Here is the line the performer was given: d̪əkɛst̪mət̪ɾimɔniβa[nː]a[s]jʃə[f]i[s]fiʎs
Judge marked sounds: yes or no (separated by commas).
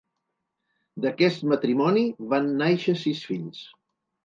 yes, no, no, yes